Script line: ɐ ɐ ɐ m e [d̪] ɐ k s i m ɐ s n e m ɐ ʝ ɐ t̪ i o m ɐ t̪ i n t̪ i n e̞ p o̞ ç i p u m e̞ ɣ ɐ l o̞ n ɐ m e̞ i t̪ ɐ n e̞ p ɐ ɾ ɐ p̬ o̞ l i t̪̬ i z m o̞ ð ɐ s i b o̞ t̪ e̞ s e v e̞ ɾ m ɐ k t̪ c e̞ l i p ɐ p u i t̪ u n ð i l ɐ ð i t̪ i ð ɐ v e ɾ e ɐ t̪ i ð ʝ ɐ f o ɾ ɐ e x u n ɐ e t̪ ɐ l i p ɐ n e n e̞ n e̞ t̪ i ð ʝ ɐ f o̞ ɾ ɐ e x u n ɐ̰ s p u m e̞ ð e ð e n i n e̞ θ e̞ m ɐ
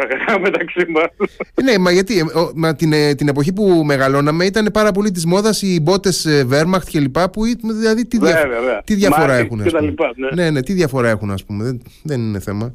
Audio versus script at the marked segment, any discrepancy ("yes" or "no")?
yes